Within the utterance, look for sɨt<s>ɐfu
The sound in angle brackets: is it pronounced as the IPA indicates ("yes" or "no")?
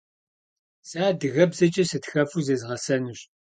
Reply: no